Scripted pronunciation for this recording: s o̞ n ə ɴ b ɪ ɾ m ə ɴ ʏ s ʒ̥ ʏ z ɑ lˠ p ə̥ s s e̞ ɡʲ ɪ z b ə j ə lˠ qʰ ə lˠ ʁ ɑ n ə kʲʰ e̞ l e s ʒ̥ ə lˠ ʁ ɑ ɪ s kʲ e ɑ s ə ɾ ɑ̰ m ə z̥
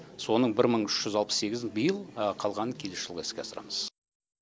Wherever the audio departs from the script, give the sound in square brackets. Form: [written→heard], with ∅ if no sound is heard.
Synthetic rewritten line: s o̞ n ə ɴ b ɪ ɾ m ə ɴ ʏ [s→ʃ] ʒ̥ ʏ z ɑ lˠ p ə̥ s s e̞ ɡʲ ɪ z b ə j ə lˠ qʰ [ə→ɑ] lˠ ʁ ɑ n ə kʲʰ e̞ l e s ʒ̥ ə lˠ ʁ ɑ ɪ s kʲ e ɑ s ə ɾ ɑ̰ m ə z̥